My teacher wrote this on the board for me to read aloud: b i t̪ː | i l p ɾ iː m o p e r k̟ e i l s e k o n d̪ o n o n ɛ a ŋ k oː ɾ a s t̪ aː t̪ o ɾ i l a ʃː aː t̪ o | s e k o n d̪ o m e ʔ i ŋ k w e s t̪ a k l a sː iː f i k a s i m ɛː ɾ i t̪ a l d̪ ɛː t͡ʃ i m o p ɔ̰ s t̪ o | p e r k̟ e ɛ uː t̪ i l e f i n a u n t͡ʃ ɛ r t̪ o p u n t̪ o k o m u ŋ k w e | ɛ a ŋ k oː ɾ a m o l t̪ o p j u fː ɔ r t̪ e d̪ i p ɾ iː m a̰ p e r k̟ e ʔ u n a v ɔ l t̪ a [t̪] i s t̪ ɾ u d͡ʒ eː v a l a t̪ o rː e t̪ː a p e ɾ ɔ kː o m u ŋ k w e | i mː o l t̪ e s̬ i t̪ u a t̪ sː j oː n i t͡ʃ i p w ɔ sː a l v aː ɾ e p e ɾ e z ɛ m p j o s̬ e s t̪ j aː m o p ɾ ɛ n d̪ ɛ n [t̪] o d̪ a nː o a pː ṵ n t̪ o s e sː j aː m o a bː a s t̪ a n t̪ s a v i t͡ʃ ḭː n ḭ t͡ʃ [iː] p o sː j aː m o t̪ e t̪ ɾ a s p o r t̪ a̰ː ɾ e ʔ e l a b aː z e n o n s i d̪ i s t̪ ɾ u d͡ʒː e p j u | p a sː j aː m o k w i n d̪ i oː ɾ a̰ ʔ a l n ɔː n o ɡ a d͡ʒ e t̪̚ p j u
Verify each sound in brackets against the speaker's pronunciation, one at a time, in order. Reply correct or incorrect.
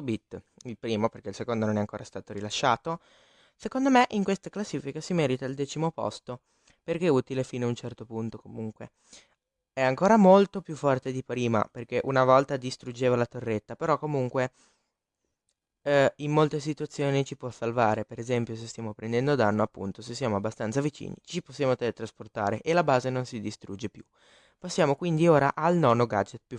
incorrect: d̪, incorrect: d̪, incorrect: i

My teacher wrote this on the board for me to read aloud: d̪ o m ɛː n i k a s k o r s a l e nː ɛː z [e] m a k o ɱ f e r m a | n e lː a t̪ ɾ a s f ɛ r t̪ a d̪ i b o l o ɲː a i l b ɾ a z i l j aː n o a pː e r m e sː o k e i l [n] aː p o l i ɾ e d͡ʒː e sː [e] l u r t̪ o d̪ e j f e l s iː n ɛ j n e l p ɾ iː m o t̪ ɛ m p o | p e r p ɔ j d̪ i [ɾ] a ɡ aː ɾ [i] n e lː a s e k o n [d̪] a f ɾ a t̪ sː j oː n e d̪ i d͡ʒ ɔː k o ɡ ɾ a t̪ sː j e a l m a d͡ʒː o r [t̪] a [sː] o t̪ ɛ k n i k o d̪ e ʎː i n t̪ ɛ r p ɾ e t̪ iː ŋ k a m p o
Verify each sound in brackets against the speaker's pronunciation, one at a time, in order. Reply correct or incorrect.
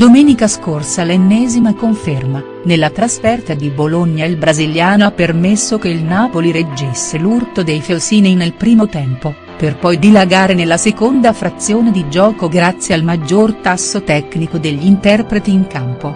incorrect: i, correct, correct, incorrect: l, incorrect: e, correct, correct, correct

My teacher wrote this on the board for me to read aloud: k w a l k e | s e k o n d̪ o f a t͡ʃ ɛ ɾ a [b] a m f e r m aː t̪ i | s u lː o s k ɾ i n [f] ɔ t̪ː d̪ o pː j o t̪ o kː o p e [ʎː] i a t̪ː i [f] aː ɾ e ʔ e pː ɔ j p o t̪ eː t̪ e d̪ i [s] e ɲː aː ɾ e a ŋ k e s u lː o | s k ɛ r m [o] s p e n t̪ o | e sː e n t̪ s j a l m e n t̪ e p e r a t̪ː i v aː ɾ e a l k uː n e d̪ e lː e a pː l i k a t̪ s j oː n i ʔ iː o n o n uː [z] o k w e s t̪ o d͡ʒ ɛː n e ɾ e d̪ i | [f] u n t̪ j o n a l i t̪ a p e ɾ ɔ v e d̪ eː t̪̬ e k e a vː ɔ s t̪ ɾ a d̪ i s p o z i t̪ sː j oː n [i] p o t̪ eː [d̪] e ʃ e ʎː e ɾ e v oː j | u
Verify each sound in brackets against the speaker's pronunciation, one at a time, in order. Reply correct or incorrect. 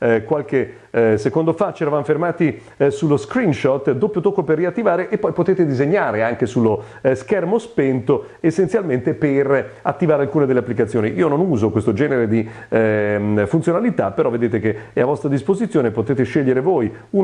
incorrect: v, incorrect: ʃ, incorrect: rː, incorrect: v, incorrect: z, correct, correct, correct, incorrect: e, incorrect: t̪

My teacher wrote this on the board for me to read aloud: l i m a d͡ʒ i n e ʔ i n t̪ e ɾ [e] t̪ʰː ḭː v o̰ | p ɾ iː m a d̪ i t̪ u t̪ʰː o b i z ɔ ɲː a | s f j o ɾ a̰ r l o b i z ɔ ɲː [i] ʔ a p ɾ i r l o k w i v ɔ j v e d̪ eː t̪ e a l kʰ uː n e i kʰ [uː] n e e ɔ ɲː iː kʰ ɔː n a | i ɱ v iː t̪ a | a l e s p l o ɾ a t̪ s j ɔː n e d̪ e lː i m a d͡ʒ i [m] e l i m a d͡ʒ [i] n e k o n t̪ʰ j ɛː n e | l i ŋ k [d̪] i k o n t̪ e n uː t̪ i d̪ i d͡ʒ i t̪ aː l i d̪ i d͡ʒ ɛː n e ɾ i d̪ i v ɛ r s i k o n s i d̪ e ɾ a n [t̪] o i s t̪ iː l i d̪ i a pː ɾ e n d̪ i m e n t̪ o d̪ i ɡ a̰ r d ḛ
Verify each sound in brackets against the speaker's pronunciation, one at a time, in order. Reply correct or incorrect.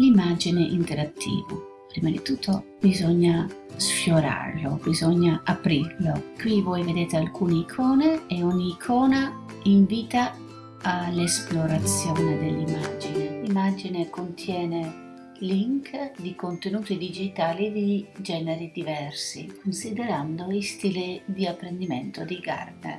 incorrect: a, incorrect: a, incorrect: ɔː, incorrect: n, correct, correct, incorrect: d̪

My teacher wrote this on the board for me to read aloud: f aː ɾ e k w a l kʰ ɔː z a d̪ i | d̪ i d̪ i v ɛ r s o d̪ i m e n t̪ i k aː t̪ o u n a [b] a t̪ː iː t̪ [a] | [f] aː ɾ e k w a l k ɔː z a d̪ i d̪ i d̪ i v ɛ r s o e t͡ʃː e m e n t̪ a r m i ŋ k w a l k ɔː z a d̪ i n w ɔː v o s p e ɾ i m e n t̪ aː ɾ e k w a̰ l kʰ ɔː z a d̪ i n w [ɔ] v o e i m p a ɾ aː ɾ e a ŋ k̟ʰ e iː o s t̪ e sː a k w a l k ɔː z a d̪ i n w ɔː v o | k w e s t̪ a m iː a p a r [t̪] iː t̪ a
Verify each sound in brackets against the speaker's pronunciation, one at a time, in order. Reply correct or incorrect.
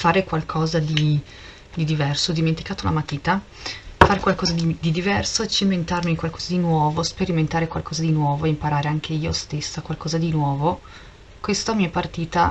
incorrect: m, correct, correct, incorrect: ɔː, correct

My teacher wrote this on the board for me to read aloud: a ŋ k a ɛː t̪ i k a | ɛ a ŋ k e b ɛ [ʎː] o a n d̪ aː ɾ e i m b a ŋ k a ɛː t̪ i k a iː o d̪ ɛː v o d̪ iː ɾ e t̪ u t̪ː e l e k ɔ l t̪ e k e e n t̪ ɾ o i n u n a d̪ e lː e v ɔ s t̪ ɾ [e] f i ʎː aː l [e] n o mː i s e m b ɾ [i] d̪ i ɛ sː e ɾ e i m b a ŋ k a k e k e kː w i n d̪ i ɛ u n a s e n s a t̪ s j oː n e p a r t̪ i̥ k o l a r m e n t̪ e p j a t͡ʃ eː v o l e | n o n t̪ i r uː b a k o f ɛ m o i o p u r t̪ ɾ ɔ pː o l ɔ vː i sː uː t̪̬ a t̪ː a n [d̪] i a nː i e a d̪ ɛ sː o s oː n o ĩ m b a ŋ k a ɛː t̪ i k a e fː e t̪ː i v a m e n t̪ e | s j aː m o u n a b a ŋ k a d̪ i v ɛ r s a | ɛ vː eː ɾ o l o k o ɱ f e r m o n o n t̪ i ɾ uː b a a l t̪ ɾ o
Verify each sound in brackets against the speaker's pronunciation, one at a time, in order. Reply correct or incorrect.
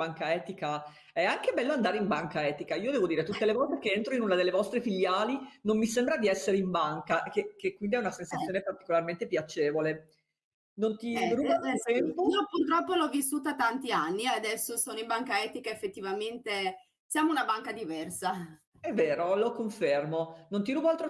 incorrect: lː, correct, incorrect: i, incorrect: a, incorrect: t̪

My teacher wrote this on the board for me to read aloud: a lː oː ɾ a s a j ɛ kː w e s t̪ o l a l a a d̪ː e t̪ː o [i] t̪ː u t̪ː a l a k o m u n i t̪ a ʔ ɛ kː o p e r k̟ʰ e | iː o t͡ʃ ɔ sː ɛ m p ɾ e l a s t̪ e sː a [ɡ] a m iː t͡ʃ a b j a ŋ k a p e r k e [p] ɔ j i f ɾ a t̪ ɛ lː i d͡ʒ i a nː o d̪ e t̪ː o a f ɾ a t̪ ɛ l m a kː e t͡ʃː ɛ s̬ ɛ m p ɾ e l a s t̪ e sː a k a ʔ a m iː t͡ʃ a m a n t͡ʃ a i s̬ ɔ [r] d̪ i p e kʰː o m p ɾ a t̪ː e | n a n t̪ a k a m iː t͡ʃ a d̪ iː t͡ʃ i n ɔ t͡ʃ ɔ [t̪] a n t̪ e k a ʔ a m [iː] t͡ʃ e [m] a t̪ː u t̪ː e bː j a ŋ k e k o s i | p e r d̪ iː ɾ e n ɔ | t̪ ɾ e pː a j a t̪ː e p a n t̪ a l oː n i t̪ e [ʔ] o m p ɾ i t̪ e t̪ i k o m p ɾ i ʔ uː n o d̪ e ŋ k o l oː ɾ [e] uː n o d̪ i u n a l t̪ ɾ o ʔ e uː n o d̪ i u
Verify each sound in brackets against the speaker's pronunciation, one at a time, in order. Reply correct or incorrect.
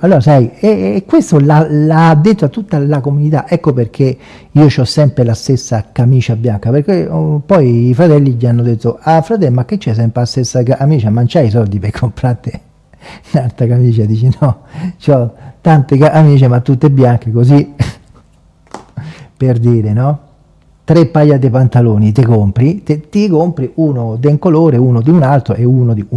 incorrect: a, incorrect: k, correct, incorrect: l, correct, correct, correct, incorrect: k, correct

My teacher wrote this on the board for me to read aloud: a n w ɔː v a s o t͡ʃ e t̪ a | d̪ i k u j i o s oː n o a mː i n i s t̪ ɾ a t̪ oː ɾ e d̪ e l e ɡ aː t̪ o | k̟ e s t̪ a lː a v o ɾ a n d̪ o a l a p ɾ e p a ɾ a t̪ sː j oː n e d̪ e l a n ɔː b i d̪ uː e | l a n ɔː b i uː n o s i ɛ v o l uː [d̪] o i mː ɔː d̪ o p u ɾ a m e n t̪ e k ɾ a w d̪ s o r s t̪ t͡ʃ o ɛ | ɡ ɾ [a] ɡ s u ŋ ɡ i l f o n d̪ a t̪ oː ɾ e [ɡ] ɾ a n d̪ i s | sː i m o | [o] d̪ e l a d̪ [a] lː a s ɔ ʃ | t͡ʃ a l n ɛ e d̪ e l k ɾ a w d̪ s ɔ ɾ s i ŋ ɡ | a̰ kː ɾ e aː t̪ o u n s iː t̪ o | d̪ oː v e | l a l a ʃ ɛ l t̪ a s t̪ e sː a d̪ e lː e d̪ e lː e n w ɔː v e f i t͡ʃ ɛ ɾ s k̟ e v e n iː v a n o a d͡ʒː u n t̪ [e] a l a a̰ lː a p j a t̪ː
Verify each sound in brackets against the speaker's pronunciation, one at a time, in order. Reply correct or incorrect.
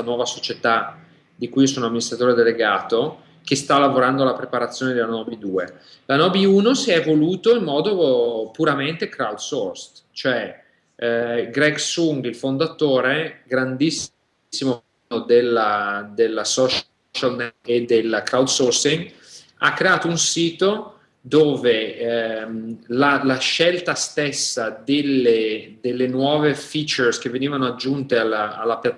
incorrect: t̪, incorrect: ɛ, correct, correct, incorrect: e, correct

